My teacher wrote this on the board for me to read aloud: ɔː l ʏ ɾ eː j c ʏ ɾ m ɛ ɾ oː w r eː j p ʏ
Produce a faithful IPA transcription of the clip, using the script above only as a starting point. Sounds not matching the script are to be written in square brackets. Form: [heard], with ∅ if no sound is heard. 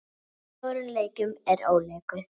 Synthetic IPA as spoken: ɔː [ɾ] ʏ [l] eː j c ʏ [∅] m ɛ ɾ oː w [l] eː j [k] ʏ